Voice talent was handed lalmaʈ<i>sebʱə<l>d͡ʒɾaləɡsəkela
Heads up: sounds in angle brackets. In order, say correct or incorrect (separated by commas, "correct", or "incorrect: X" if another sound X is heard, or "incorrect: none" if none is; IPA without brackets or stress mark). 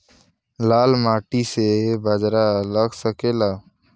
correct, incorrect: none